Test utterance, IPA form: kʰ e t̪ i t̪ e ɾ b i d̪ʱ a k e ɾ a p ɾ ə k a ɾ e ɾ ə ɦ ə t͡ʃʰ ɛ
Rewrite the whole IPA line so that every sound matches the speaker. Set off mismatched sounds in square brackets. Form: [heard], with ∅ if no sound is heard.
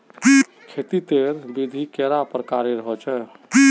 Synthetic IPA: kʰ e t̪ i t̪ e ɾ b i d̪ʱ [i] k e ɾ a p ɾ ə k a ɾ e ɾ ə ɦ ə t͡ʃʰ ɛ